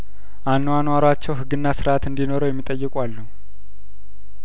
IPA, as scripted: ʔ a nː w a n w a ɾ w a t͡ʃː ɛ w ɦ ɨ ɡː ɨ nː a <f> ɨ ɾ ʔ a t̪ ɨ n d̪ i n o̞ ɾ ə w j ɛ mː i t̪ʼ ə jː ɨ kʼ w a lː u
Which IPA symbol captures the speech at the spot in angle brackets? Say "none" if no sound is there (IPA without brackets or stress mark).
s